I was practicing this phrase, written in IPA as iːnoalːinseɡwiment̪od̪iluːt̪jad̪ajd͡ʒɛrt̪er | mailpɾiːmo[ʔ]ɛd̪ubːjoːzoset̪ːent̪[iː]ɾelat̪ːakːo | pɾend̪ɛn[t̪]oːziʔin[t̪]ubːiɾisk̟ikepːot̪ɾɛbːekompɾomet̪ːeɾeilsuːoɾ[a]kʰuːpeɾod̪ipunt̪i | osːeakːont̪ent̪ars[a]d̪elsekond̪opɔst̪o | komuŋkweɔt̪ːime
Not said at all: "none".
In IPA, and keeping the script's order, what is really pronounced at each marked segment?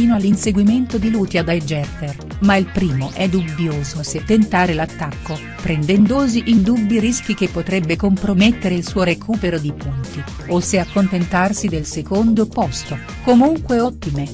ʔ, aː, d̪, d̪, e, i

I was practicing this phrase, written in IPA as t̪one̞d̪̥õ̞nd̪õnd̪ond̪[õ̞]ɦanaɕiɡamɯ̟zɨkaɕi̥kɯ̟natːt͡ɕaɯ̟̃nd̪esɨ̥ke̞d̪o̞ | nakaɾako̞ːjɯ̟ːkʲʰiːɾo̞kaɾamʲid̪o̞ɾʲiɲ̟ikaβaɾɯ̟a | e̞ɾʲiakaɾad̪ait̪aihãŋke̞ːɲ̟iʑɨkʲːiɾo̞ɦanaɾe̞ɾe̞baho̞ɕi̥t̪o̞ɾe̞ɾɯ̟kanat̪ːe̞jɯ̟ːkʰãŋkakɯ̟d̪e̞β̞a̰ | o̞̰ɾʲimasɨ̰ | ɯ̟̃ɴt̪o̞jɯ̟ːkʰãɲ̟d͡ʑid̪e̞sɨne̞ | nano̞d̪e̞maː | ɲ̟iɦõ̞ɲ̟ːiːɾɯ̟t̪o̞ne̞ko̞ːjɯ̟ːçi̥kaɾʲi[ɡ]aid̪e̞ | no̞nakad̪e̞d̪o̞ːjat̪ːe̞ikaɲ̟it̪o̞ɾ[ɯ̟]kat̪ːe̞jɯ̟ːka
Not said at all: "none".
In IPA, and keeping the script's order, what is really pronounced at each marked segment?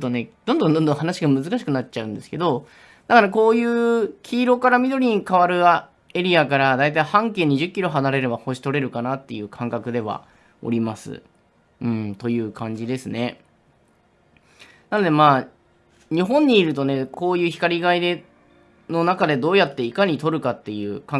õ̞, ɡ, ɯ̟

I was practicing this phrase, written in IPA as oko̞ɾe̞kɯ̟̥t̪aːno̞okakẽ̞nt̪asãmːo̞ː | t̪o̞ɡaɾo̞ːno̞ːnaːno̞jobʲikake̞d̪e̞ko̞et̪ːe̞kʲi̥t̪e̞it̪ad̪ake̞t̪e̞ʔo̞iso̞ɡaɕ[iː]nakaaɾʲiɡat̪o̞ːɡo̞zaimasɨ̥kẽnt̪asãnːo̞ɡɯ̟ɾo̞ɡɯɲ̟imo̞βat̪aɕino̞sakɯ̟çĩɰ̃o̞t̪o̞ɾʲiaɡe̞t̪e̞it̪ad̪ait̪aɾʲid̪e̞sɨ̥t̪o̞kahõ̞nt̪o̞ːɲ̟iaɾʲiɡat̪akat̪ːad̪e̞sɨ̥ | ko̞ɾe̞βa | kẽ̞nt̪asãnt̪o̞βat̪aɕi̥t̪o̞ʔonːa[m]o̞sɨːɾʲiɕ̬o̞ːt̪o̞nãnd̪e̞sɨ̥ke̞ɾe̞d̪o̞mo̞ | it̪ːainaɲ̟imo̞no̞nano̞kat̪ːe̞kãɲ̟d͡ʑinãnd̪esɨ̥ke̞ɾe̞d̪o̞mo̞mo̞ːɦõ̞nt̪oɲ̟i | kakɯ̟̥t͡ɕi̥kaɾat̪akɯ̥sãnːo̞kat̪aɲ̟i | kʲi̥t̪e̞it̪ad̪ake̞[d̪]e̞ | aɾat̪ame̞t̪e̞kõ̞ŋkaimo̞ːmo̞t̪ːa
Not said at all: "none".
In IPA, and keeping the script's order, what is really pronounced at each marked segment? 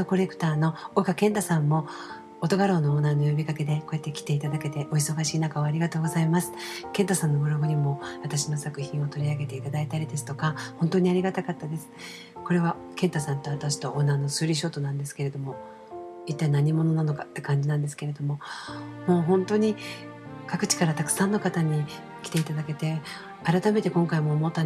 iː, n, t̪

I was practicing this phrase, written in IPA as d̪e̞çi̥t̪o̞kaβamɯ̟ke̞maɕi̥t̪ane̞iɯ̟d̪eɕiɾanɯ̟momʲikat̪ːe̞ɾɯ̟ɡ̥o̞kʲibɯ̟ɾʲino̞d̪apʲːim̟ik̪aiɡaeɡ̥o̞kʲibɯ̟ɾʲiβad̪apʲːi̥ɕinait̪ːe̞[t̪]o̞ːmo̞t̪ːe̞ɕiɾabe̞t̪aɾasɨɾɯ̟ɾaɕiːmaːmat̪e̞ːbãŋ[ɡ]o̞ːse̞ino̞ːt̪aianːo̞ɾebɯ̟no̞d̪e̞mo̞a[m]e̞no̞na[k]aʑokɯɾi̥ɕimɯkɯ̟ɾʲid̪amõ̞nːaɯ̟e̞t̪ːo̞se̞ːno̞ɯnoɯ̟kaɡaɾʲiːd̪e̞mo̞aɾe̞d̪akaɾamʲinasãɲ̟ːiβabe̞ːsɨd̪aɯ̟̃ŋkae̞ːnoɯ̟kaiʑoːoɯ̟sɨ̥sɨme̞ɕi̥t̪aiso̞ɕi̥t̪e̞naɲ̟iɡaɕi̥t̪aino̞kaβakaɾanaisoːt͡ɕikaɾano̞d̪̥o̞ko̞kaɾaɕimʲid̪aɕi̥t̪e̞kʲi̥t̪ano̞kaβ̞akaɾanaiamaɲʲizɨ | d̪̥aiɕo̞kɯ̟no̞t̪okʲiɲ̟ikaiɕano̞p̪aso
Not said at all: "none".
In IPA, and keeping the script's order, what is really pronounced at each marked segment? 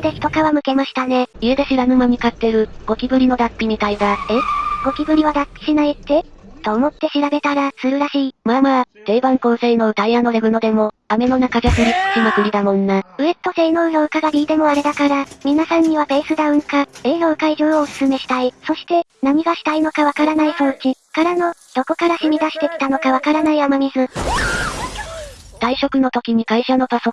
t̪, k, m, k

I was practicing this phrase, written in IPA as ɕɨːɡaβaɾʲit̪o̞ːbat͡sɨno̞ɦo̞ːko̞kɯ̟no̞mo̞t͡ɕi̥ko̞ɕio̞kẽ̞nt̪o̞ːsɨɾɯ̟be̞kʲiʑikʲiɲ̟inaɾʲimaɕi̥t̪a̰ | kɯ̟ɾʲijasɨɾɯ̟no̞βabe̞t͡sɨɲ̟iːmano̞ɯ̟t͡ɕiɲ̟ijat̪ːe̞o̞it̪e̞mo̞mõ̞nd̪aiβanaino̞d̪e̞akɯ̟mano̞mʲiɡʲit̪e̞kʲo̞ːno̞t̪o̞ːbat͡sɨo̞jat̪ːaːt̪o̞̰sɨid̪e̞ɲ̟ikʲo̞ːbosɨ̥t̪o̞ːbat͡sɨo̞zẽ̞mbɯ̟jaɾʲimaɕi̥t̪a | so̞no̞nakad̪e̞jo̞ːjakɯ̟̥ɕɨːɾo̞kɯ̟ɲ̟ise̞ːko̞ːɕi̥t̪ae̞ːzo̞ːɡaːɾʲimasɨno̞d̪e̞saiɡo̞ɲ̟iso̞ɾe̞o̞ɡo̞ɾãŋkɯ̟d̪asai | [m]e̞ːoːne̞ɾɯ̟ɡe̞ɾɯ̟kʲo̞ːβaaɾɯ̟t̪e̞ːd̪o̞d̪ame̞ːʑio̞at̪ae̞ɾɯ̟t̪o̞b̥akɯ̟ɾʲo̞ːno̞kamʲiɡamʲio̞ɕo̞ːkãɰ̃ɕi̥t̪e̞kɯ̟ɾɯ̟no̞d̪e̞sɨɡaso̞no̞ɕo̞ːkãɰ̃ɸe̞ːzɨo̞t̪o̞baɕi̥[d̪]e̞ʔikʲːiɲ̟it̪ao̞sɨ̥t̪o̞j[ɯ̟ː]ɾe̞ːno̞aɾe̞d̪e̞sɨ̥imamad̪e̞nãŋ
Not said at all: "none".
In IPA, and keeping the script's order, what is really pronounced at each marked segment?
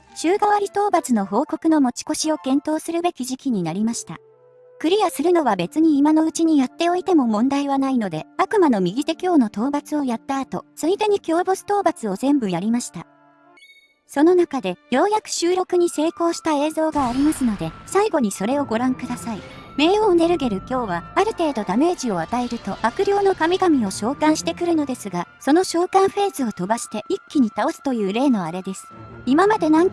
m, t̪, ɯ̟ː

